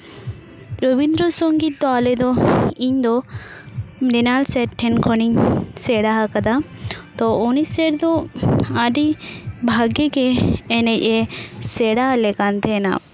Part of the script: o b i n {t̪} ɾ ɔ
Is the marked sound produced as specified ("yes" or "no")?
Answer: no